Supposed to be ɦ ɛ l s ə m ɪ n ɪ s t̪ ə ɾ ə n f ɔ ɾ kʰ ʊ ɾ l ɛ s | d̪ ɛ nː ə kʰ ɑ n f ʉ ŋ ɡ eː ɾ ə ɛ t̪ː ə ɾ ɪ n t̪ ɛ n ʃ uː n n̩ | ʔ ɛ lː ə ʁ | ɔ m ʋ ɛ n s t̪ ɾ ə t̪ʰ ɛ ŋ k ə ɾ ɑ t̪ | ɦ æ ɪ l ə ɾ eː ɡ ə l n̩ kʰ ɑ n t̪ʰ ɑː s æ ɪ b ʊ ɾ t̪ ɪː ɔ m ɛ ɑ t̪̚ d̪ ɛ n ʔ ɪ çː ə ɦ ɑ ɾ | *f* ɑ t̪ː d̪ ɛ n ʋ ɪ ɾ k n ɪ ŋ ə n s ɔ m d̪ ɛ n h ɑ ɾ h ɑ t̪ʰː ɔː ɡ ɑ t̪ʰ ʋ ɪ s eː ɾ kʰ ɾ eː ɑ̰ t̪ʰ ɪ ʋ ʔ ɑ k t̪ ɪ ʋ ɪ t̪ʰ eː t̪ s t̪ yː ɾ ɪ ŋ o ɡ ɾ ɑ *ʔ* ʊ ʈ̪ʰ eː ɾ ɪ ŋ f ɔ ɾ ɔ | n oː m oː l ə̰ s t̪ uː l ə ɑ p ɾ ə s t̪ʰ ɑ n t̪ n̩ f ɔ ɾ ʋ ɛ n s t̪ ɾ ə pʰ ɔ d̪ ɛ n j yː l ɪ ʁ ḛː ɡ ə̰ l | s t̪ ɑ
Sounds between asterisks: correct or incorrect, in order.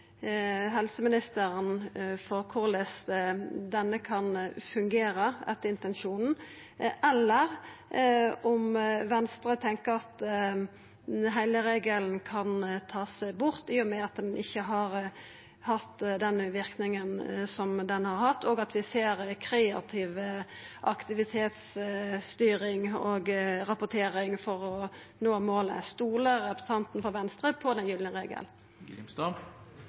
incorrect: h, incorrect: p

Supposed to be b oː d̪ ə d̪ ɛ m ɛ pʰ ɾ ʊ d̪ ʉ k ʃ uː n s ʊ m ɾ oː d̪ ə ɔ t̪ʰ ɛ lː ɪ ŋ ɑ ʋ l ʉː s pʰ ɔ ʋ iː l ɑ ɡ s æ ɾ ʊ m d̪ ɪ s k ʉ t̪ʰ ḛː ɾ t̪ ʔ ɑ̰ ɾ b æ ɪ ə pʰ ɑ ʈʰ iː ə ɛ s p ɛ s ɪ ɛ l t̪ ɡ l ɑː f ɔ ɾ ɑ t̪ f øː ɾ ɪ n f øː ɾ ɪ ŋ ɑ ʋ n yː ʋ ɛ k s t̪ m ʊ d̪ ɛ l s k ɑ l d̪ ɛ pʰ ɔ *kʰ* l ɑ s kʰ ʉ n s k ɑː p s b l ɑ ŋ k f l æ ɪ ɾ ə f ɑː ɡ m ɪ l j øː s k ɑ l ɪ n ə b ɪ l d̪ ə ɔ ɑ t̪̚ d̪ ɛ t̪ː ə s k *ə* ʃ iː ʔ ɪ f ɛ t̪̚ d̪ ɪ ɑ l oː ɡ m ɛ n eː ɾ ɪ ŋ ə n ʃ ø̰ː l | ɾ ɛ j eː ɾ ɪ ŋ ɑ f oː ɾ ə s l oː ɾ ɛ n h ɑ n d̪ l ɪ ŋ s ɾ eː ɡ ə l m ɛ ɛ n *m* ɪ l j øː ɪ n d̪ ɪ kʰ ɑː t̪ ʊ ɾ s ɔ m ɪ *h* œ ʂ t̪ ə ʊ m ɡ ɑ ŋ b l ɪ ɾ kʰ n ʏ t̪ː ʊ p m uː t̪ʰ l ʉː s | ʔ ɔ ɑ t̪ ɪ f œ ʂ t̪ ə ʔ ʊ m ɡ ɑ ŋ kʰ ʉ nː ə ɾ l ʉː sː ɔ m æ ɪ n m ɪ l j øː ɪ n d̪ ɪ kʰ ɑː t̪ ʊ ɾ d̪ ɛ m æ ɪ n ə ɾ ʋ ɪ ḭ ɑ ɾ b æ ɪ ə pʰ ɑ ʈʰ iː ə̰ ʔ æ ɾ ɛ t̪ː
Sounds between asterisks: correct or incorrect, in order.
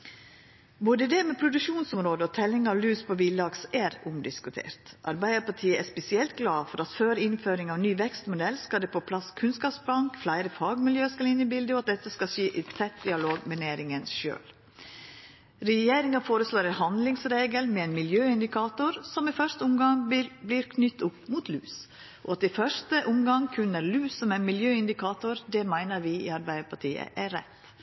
incorrect: pʰ, incorrect: ɑ, correct, incorrect: f

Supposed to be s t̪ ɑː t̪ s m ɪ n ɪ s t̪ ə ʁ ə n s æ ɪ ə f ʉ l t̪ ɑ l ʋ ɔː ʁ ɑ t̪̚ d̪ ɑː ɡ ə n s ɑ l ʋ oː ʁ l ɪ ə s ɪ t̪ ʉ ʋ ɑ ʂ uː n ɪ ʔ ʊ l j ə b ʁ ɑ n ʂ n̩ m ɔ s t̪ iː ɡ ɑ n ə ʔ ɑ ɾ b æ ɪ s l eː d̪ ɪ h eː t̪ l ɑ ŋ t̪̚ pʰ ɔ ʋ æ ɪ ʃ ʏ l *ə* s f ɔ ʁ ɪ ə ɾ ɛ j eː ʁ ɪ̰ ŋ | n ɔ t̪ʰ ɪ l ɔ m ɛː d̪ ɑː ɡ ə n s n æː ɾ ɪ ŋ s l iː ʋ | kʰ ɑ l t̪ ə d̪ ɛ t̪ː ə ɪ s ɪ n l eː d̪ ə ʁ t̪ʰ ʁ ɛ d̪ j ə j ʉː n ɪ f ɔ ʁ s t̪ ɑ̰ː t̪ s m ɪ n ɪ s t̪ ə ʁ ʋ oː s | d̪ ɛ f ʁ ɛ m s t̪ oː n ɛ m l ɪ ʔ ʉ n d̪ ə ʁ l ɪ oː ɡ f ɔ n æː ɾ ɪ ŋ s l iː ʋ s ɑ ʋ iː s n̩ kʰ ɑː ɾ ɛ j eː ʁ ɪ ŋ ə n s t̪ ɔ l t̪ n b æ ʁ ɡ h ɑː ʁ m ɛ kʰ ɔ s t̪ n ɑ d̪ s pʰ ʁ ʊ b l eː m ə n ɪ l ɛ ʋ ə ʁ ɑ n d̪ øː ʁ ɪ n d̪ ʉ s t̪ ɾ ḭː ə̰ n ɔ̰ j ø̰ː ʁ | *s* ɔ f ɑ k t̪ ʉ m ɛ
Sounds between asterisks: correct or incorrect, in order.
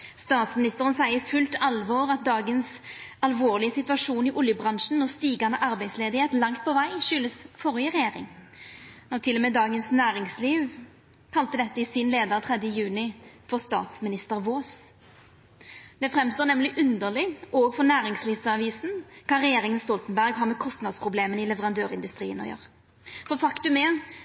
correct, incorrect: f

